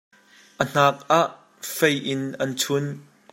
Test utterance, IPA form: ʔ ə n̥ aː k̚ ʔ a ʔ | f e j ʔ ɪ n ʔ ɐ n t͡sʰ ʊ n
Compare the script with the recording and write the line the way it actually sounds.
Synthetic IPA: ʔ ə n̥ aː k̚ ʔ a ʔ | f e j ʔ ɪ n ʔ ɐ n t͡sʰ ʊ n

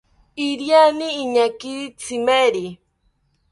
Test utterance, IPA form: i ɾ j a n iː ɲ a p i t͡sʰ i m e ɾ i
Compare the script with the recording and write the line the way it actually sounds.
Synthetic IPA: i ɾ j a n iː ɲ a k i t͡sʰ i m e ɾ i

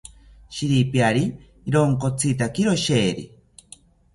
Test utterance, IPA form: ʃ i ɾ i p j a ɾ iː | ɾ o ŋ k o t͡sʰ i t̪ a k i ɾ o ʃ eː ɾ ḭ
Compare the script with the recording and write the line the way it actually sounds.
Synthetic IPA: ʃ i ɾ i p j a ɾ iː | ɾ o ŋ k o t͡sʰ i t̪ a k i ɾ o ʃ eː ɾ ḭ

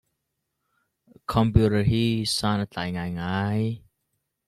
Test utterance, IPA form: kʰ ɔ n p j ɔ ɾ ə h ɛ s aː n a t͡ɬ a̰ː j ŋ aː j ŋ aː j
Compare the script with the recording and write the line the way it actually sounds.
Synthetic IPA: kʰ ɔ m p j u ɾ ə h i s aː n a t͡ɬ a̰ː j ŋ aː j ŋ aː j

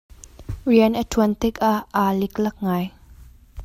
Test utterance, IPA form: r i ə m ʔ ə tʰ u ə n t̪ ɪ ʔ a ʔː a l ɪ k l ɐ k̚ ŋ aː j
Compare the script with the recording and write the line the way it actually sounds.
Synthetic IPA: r i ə n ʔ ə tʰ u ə n t̪ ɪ k a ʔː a l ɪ k l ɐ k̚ ŋ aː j

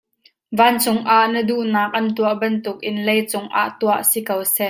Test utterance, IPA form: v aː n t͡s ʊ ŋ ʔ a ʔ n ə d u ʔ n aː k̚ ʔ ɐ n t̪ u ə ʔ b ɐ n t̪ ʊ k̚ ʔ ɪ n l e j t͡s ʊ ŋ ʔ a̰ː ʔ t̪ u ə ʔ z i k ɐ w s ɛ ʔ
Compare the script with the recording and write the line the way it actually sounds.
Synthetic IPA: v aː n t͡s ʊ ŋ ʔ a ʔ n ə d u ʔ n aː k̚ ʔ ɐ n t̪ u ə ʔ b ɐ n t̪ ʊ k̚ ʔ ɪ n l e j t͡s ʊ ŋ ʔ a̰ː ʔ t̪ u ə ʔ s i k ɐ w s ɛ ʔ

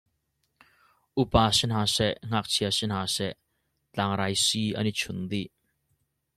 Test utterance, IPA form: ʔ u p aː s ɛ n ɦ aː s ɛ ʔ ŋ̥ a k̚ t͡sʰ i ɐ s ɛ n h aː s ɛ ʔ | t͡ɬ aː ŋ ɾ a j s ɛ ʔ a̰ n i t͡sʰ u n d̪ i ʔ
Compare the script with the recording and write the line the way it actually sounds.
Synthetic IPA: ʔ u p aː s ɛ n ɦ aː s ɛ ʔ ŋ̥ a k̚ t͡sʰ i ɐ s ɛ n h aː s ɛ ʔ | t͡ɬ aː ŋ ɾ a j s i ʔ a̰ n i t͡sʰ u n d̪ i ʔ

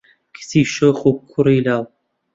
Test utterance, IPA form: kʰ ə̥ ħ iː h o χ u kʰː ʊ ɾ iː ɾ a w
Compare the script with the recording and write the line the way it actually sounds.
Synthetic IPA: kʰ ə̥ s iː ʃ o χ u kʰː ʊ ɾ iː l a w

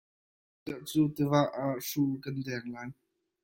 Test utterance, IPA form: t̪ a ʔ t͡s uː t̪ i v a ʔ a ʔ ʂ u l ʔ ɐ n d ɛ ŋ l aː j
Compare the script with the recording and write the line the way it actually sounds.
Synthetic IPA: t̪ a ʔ t͡s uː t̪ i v a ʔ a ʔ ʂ u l k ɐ n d ɛ ŋ l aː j

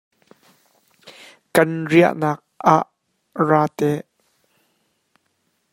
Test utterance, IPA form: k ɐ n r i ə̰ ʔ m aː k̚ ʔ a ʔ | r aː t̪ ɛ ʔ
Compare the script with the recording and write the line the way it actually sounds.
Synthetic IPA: k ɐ n r i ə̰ ʔ n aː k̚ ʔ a ʔ | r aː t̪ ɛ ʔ

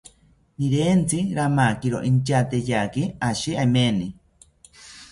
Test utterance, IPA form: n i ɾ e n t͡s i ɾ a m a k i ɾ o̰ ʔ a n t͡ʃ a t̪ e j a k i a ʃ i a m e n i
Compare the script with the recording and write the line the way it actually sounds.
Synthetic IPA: n i ɾ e n t͡s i ɾ a m a k i ɾ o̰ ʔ i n t͡ʃ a t̪ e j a k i a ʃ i a m e n i

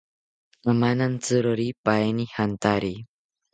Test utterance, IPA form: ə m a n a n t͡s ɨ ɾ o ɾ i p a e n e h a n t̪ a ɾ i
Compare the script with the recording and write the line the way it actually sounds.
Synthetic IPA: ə m a n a n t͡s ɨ ɾ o ɾ i p a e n i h a n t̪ a ɾ i

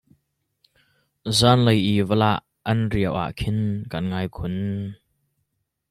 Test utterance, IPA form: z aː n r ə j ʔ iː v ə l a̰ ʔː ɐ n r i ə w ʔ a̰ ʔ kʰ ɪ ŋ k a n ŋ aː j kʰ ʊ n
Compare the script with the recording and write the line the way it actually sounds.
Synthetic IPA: z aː n l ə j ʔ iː v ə l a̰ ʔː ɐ n r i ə w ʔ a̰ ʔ kʰ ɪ n k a n ŋ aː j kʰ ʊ n

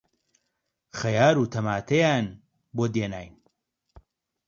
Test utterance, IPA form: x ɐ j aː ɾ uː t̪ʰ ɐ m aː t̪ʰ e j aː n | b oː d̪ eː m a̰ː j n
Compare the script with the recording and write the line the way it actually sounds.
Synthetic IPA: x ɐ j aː ɾ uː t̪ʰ ɐ m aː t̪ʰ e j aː n | b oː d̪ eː n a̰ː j n

